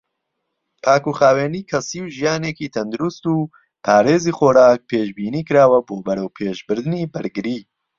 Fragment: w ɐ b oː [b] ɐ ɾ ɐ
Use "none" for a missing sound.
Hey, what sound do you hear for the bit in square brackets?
b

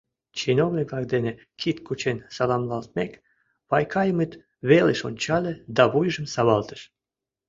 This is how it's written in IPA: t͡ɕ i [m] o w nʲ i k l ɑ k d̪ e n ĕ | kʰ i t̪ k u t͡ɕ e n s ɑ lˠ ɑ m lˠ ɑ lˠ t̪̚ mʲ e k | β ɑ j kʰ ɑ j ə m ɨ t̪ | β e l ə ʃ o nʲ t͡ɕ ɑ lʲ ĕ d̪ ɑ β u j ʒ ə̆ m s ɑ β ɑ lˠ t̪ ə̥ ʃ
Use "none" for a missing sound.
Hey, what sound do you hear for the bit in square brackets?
n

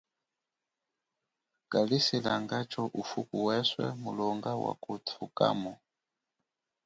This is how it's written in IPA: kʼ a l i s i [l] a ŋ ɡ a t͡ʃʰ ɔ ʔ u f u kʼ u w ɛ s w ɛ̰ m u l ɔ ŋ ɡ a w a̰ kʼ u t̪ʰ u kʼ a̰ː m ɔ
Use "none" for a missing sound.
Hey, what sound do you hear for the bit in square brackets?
l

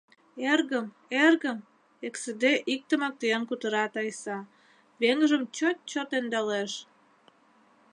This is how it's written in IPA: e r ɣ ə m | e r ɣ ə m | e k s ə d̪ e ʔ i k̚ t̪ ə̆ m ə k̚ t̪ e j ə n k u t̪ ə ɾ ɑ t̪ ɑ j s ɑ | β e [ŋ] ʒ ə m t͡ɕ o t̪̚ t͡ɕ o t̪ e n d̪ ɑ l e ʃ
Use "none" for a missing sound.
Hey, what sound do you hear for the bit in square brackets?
ŋ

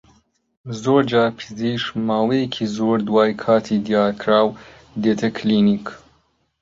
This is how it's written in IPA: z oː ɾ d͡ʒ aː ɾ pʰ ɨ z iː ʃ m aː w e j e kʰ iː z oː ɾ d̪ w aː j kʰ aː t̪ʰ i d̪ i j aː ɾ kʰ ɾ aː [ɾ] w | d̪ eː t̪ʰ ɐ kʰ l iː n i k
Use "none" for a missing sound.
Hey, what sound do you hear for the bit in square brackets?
none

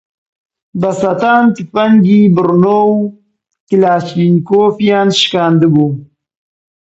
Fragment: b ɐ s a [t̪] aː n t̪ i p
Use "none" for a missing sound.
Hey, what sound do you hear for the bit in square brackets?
t̪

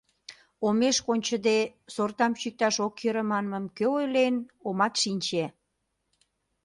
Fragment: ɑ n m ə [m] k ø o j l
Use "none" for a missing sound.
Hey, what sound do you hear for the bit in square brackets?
m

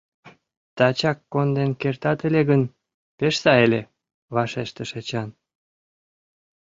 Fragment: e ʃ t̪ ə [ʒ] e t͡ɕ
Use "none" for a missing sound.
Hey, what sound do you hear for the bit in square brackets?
ʃ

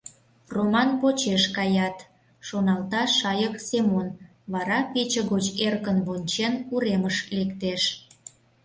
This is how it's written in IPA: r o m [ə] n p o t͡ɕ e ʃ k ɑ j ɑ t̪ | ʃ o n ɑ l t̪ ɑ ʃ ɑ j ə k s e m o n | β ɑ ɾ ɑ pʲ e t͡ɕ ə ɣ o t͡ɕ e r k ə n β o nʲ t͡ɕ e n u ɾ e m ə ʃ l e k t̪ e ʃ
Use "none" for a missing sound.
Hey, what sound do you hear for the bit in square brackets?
ɑ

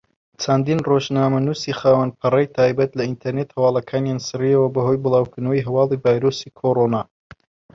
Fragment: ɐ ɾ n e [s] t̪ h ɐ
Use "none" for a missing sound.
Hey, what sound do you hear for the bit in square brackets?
none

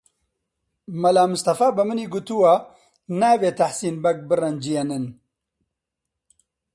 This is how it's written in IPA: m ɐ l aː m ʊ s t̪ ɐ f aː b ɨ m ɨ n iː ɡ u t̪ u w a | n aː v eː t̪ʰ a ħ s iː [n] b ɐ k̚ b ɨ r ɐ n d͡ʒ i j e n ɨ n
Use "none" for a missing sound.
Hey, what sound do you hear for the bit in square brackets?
n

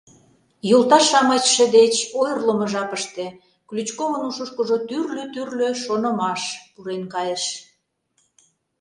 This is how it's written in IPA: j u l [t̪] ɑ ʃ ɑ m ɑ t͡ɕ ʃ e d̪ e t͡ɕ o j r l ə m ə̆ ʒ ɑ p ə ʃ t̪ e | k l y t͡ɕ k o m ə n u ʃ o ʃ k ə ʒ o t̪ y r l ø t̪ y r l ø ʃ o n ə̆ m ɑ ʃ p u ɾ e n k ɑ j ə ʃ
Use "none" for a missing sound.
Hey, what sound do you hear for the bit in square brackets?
t̪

